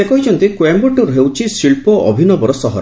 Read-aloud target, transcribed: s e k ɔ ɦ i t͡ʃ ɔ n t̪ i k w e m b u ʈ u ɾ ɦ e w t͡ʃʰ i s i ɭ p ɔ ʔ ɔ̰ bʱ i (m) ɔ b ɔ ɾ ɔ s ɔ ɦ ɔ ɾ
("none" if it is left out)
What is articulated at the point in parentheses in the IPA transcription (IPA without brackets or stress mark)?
n